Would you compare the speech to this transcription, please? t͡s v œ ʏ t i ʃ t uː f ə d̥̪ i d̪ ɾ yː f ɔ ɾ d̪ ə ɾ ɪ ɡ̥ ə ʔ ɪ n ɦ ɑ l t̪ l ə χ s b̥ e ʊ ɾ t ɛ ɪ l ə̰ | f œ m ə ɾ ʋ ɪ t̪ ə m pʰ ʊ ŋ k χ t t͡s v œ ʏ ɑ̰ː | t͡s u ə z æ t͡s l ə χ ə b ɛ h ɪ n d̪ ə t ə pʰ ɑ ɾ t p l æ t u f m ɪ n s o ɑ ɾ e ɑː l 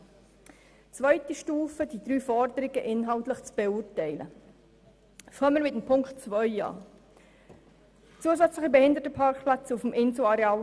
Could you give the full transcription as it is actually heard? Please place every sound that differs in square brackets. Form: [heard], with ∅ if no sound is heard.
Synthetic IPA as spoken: t͡s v œ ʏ t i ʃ t uː f ə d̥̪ i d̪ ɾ yː f ɔ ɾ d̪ ə ɾ ɪ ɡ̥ ə ʔ ɪ n ɦ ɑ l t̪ l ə χ [t͡s] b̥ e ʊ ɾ t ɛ ɪ l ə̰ | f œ m ə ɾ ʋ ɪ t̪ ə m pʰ ʊ ŋ k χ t t͡s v œ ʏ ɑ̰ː | t͡s u ə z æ t͡s l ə χ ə b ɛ h ɪ n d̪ ə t ə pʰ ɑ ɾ [k] p l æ [t͡s] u f m ɪ n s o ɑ ɾ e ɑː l